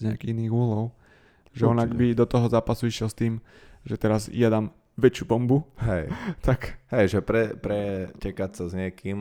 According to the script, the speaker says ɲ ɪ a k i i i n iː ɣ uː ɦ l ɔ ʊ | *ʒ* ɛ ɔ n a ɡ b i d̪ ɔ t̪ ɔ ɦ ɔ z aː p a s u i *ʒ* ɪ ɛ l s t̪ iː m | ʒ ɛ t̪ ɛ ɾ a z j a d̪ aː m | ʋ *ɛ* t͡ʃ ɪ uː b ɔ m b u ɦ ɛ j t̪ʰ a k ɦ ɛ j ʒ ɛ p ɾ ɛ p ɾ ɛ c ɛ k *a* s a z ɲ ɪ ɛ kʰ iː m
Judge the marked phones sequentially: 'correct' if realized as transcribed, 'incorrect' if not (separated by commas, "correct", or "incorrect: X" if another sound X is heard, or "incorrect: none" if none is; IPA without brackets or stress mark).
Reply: correct, incorrect: ʃ, correct, correct